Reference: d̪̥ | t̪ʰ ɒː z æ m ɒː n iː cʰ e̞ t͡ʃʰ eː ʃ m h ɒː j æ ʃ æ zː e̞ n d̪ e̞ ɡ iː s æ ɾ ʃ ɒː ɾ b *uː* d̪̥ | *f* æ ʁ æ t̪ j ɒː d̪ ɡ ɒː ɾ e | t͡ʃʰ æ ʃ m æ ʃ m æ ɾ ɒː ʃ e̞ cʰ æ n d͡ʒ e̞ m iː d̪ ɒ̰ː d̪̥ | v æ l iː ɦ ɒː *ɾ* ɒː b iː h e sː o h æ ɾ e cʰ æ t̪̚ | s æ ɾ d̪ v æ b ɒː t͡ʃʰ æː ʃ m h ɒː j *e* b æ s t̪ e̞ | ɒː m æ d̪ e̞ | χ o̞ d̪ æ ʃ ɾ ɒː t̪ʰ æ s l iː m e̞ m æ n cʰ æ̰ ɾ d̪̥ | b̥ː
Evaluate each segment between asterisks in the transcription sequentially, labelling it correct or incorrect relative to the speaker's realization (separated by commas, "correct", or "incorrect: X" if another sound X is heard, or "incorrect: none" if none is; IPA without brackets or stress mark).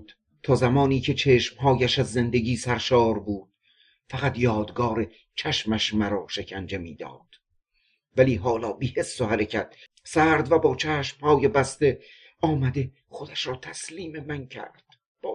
correct, correct, incorrect: l, correct